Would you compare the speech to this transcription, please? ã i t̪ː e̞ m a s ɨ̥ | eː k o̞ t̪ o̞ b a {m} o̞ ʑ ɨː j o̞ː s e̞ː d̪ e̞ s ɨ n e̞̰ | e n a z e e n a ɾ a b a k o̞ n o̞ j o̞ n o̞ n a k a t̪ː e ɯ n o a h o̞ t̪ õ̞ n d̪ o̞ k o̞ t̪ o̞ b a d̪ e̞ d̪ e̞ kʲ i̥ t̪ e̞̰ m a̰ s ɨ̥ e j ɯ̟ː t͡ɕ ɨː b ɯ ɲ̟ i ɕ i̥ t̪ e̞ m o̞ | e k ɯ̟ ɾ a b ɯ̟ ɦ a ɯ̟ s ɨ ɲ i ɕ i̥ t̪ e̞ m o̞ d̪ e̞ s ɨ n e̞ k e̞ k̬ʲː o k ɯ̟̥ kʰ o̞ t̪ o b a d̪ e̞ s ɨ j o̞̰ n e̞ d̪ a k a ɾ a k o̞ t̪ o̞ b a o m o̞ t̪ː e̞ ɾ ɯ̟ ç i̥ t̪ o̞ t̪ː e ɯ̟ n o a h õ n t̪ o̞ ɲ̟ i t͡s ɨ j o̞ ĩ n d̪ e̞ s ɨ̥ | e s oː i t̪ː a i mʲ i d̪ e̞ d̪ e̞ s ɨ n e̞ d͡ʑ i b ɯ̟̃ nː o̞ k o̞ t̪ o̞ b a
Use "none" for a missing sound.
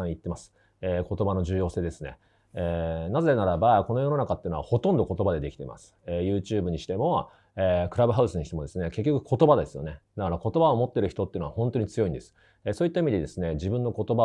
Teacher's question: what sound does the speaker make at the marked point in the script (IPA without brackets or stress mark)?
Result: n